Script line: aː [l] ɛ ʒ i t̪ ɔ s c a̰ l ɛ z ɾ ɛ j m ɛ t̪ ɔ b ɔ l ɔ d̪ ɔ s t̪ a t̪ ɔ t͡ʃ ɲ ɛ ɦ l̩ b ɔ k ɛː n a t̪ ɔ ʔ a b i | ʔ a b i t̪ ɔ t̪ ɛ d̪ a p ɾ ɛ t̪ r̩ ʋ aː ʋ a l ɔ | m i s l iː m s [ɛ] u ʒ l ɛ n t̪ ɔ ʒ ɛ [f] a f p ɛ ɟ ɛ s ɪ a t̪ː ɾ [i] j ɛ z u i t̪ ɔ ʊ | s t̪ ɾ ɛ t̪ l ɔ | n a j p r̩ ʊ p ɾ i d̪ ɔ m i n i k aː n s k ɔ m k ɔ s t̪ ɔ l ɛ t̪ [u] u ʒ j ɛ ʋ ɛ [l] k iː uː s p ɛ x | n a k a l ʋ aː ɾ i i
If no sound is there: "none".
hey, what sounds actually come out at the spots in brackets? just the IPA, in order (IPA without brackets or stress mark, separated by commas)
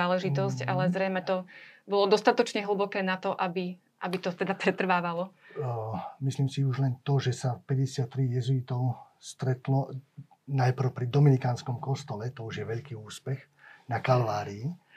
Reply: l, i, s, i, ɔ, ʎ